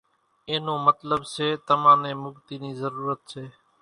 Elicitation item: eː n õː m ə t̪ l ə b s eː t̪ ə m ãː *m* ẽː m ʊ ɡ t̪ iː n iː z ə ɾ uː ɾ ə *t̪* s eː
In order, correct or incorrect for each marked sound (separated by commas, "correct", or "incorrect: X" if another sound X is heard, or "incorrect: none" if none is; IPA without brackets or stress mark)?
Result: incorrect: n, correct